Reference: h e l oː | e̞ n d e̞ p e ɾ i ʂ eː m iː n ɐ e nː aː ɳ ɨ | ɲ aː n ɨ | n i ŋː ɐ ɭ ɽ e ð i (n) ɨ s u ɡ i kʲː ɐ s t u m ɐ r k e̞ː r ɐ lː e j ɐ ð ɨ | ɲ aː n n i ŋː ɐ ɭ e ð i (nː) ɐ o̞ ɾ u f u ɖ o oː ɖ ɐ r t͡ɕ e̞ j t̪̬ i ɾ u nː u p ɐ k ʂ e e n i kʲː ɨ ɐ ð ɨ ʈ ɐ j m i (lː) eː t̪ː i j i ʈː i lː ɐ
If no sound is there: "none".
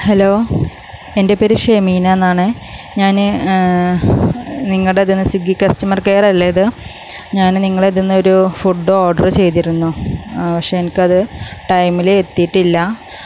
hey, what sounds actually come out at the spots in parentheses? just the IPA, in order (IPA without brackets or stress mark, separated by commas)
nː, nː, l